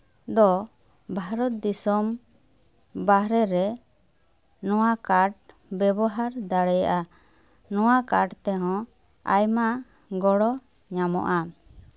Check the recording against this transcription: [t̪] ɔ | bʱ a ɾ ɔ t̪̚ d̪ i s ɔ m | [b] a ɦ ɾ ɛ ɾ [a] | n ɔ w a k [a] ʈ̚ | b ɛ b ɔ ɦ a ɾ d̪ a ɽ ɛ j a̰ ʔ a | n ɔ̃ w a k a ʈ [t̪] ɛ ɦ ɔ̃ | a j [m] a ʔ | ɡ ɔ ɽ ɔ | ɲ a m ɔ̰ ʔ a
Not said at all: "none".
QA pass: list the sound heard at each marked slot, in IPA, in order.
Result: d̪, b, ɛ, a, t̪, m

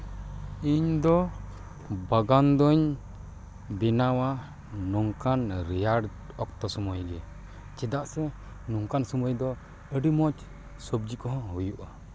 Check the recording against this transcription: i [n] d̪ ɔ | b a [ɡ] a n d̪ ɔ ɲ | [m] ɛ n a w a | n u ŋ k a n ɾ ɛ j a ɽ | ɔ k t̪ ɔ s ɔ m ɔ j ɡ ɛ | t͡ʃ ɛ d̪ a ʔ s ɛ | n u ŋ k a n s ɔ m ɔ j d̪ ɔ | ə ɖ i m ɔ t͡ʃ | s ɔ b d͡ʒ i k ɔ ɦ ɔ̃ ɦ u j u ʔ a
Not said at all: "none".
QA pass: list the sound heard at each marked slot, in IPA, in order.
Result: ɲ, ɡ, b

